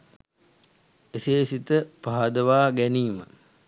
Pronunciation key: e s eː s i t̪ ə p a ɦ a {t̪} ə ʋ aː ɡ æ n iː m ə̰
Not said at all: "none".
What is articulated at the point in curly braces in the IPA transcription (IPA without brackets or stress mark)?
d̪